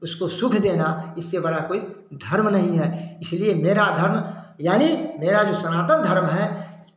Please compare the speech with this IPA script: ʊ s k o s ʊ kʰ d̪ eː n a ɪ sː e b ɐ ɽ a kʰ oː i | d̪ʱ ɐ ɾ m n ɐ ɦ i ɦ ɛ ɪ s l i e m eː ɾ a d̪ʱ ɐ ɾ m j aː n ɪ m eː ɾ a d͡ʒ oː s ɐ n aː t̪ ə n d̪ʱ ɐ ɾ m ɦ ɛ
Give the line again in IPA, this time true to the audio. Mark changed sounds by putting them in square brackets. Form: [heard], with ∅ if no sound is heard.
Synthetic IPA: ʊ s k o s ʊ kʰ d̪ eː n a ɪ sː e b ɐ ɽ a [k] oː i | d̪ʱ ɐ ɾ m n ɐ ɦ [ĩ] ɦ ɛ ɪ s l i e m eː ɾ a d̪ʱ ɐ ɾ m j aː n [i] m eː ɾ a d͡ʒ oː s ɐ n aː t̪ ə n d̪ʱ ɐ ɾ m ɦ ɛ